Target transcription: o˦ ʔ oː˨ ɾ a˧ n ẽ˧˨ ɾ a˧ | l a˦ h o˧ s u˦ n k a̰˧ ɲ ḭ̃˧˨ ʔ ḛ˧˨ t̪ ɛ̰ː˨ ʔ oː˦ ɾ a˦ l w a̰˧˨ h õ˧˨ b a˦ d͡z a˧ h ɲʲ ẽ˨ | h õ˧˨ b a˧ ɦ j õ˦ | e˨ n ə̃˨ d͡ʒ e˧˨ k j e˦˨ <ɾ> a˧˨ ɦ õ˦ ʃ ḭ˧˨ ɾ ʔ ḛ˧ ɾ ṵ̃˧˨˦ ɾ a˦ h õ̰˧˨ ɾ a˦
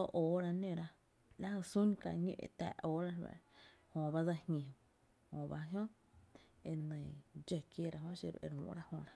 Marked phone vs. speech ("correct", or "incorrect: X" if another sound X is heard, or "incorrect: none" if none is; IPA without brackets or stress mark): correct